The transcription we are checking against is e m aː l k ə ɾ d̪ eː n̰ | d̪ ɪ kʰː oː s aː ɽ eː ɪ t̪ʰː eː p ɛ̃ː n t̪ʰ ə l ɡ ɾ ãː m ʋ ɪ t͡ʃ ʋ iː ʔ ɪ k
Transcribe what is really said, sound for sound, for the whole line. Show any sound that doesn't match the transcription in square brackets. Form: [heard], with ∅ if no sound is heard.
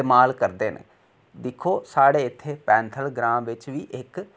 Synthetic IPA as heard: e m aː l k ə ɾ d̪ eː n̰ | d̪ ɪ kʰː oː s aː ɽ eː ɪ t̪ʰː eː p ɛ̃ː n t̪ʰ ə l ɡ ɾ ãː m ʋ ɪ t͡ʃ ʋ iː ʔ ɪ k